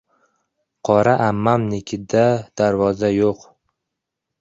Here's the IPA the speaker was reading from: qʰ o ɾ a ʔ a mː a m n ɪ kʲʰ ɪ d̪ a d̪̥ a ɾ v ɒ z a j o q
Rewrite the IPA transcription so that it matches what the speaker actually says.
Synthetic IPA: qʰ ɒ ɾ a ʔ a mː a m n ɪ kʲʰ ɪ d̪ a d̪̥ a ɾ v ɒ z a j o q